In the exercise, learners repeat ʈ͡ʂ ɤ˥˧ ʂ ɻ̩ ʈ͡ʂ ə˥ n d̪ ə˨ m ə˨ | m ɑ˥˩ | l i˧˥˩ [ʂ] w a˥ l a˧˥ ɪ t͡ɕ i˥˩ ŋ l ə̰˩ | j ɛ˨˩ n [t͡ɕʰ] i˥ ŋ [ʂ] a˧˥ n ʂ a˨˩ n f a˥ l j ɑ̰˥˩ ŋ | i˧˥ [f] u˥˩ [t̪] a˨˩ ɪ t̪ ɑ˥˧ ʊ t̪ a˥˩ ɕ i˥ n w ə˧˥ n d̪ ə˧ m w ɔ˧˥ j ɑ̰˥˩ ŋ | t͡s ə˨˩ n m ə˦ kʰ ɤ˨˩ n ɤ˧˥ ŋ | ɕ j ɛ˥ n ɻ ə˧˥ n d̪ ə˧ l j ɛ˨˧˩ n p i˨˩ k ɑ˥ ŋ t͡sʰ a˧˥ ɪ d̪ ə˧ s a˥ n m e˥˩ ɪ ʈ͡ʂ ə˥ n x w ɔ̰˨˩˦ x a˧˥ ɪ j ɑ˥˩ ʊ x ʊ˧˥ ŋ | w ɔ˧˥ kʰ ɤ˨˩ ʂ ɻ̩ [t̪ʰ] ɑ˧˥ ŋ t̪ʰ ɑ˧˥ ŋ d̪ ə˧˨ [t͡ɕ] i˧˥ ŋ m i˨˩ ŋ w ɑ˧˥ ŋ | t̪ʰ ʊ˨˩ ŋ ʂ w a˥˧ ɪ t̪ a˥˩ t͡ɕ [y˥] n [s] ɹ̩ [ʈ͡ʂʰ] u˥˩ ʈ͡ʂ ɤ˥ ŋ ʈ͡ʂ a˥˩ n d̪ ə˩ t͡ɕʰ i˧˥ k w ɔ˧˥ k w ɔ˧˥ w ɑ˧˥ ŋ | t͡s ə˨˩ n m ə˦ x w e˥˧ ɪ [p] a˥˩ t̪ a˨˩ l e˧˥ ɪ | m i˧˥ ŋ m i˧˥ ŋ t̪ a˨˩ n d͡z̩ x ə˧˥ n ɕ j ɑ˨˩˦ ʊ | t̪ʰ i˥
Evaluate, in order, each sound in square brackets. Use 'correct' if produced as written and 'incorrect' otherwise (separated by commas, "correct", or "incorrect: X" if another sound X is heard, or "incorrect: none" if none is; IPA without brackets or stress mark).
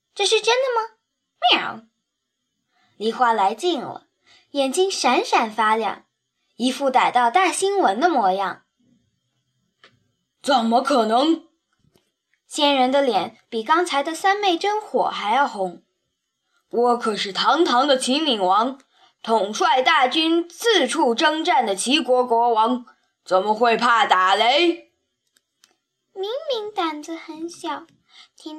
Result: incorrect: x, incorrect: t͡ɕ, correct, correct, correct, correct, incorrect: t͡ɕʰ, correct, incorrect: t͡s, correct, incorrect: pʰ